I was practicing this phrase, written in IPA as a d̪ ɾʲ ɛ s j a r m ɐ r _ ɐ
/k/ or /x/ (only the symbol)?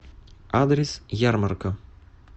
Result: k